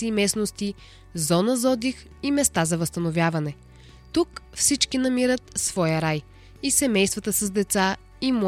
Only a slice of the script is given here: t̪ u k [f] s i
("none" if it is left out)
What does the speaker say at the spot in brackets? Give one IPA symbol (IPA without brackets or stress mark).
f